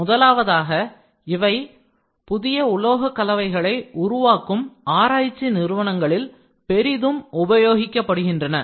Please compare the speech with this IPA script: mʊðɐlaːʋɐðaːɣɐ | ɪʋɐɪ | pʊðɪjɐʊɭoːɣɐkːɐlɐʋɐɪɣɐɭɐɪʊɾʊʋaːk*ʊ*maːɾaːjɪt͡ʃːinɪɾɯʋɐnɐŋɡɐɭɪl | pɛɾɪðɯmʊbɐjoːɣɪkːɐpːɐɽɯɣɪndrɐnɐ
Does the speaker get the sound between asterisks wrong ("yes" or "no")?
yes